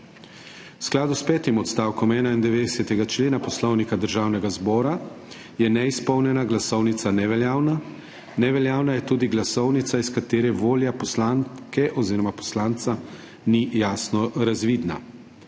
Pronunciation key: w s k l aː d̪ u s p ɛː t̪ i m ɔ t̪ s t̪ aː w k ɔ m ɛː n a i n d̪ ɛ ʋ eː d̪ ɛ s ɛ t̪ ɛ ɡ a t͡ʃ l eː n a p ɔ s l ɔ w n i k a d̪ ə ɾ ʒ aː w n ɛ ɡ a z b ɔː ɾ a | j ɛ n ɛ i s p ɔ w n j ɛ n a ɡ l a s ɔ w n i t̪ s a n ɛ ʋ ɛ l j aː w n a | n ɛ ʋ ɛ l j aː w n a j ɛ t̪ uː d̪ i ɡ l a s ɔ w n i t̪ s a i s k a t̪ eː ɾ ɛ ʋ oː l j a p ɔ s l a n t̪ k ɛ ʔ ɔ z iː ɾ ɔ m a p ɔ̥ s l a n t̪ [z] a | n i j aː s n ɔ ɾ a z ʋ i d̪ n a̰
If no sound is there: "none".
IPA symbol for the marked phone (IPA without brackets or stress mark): s